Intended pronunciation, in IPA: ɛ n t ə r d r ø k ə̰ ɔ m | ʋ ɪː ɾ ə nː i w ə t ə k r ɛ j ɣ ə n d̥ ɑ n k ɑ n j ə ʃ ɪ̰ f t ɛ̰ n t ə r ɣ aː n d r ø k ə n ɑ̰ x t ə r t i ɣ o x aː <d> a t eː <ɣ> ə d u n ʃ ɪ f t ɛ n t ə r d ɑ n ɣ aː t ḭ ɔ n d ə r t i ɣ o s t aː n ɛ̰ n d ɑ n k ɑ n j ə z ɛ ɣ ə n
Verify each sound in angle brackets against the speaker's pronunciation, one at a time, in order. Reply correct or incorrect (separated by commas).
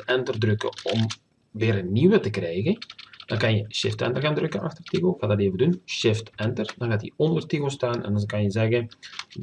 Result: correct, incorrect